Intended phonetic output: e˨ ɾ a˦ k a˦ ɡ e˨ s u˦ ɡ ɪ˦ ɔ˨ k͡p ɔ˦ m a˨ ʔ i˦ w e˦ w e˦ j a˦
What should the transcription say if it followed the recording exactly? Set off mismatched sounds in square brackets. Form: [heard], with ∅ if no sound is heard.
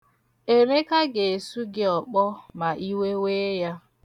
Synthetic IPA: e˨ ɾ [e˦] k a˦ ɡ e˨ s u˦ ɡ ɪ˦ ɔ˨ k͡p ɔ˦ m a˨ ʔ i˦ w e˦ w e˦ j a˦